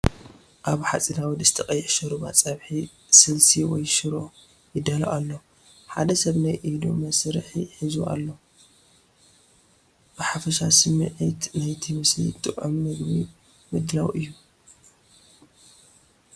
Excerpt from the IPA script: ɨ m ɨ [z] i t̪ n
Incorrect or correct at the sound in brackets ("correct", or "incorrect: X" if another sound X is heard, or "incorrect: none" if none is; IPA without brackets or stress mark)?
incorrect: ʕ